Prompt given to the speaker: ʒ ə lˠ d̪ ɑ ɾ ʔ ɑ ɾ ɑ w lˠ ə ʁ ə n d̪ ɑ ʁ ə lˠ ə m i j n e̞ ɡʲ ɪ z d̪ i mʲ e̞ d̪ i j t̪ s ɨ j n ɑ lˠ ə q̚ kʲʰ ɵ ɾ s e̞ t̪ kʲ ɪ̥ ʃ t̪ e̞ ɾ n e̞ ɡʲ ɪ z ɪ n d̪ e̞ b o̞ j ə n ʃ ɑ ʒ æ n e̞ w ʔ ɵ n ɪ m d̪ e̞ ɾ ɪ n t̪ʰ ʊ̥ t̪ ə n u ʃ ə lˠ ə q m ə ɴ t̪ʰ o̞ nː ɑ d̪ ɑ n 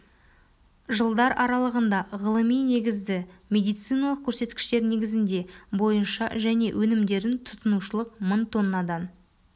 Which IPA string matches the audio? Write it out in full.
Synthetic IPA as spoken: ʒ ə lˠ d̪ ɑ ɾ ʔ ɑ ɾ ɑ lˠ ə ʁ ə n d̪ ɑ ʁ ə lˠ ə m i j n e̞ ɡʲ ɪ z d̪ ɪ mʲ e̞ d̪ i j t̪ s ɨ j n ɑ lˠ ə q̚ kʲʰ ɵ ɾ s e̞ t̪ kʲ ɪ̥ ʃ t̪ e̞ ɾ n e̞ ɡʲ ɪ z ɪ n d̪ e̞ b o̞ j ə n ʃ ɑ ʒ æ n e̞ w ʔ ɵ n ɪ m d̪ e̞ ɾ ɪ n t̪ʰ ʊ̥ t̪ ə n u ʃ ə lˠ ə q m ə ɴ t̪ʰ o̞ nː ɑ d̪ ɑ n